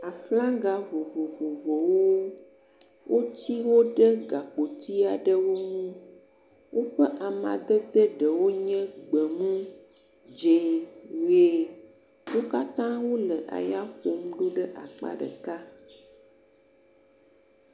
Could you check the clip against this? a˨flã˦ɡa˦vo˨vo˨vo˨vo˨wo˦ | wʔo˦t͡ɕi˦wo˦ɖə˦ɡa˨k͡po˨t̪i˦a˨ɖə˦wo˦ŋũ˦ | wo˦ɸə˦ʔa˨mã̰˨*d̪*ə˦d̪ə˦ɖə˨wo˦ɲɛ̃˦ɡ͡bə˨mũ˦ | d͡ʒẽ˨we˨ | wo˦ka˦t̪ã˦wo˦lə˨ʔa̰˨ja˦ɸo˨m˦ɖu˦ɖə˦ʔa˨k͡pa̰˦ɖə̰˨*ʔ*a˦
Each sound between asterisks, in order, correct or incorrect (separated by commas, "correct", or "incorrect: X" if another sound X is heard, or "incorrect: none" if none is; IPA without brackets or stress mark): correct, incorrect: k